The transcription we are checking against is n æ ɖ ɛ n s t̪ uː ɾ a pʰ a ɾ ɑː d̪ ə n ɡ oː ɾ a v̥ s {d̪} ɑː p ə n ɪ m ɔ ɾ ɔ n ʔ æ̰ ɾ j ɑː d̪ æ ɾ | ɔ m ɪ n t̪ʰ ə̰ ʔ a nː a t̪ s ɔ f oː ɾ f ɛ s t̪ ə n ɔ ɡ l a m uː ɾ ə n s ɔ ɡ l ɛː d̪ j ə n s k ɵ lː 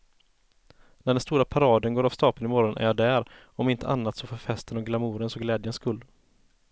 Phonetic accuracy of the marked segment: incorrect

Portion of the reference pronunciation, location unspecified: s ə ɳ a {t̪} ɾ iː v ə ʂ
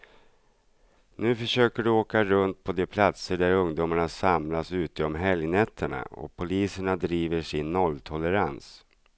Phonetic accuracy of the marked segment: incorrect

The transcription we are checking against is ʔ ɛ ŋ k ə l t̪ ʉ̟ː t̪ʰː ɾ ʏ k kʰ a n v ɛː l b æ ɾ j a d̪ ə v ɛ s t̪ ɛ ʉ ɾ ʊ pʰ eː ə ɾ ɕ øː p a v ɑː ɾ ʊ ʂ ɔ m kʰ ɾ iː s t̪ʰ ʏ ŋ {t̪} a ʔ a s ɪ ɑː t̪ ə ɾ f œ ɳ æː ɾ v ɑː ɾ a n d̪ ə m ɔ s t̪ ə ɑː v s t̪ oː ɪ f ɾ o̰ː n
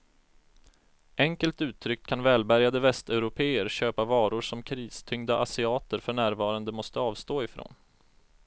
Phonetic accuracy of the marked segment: incorrect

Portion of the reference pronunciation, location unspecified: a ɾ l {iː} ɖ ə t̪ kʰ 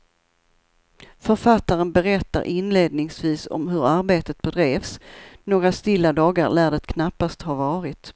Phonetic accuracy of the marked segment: incorrect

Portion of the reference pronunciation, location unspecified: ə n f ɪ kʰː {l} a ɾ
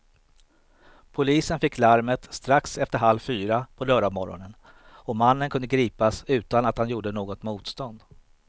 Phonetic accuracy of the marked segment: correct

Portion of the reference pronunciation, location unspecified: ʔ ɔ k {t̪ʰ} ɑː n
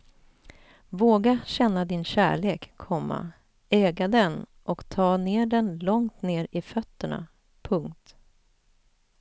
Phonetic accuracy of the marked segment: correct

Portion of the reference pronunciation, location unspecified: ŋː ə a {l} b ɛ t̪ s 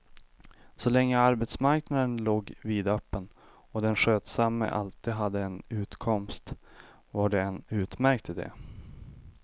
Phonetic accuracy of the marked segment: incorrect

